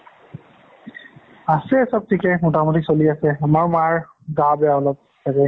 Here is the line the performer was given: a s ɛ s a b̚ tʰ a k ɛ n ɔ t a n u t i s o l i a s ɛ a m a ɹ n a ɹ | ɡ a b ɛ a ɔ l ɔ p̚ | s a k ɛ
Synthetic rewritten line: a s ɛ s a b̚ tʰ i k ɛ m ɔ t a m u t i s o l i a s ɛ a m a ɹ m a ɹ | ɡ a b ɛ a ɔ l ɔ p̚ | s a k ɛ

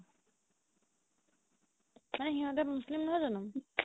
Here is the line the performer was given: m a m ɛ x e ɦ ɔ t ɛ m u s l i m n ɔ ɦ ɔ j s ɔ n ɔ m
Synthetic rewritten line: m a n ɛ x i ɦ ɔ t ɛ m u s l i m n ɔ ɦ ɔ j z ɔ n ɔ m

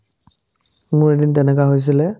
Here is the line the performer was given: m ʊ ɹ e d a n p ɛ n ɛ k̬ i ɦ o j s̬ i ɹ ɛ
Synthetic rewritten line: m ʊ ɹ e d i n t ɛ n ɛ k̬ a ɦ o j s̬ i l ɛ

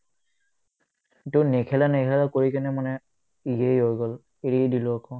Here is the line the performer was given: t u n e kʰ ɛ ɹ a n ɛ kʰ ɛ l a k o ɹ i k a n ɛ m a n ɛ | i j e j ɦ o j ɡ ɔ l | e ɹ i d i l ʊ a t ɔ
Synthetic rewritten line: t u n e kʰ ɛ l a n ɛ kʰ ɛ l a k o ɹ i k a n ɛ m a n ɛ | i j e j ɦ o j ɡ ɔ l | e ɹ i d i l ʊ a k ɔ

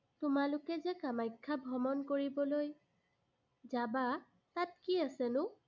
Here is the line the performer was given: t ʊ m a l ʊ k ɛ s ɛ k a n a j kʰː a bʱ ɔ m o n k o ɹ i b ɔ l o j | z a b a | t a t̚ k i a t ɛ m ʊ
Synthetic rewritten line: t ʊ m a l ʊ k ɛ z ɛ k a m a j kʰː a bʱ ɔ m ɔ n k o ɹ i b ɔ l o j | z a b a | t a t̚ k i a s ɛ n ʊ

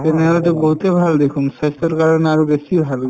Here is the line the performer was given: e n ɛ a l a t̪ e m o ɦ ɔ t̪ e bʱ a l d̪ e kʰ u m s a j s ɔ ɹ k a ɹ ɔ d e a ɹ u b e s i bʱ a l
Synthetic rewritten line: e n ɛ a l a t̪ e b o ɦ u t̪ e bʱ a l d̪ e kʰ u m s a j s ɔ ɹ k a ɹ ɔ n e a ɹ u b e s i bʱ a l

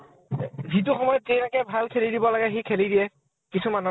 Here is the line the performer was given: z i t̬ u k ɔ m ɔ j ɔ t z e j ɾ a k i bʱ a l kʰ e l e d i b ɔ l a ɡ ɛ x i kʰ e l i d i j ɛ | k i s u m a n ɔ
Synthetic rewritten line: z i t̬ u x ɔ m ɔ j ɔ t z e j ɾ a k ɛ bʱ a l kʰ e l i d i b ɔ l a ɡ ɛ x i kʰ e l i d i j ɛ | k i s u m a n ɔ

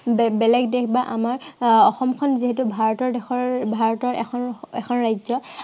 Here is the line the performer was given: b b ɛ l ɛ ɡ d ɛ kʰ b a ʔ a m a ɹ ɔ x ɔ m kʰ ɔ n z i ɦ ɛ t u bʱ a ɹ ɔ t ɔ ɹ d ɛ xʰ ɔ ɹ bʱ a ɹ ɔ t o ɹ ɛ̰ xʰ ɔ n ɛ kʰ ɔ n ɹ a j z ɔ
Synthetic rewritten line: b b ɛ l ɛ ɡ d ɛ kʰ b a ʔ a m a ɹ ɔ x ɔ m kʰ ɔ n z i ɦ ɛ t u bʱ a ɹ ɔ t ɔ ɹ d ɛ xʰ ɔ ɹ bʱ a ɹ ɔ t ɔ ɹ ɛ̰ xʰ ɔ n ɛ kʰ ɔ n ɹ a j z ɔ

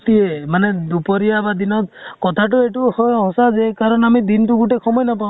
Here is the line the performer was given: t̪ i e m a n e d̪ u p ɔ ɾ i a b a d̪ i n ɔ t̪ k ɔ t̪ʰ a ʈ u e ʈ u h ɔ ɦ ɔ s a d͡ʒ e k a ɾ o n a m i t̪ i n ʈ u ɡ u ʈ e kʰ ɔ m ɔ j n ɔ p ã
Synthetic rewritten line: t̪ i e m a n e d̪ u p ɔ ɾ i a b a d̪ i n ɔ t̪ k ɔ t̪ʰ a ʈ u e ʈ u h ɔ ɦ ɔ s a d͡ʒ e k a ɾ ɔ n a m i d̪ i n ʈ u ɡ u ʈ e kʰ ɔ m ɔ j n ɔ p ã

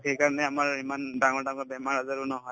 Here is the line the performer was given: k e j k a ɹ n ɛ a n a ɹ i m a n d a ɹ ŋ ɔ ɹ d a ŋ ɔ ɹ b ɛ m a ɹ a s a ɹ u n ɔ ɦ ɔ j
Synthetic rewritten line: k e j k a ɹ n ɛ a m a ɹ i m a n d a ŋ ɔ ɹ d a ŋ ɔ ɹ b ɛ m a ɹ a z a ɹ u n ɔ ɦ ɔ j

